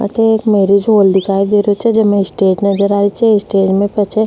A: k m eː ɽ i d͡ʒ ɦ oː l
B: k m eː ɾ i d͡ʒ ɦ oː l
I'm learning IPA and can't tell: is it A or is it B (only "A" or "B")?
B